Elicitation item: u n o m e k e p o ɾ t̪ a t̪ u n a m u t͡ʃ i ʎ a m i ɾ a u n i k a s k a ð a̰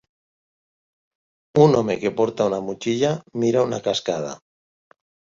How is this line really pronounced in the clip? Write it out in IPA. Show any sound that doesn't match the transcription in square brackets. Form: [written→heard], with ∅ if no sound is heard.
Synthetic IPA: u n o m e k e p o ɾ t̪ a [t̪→∅] u n a m u t͡ʃ i ʎ a m i ɾ a u n [i→a] k a s k a ð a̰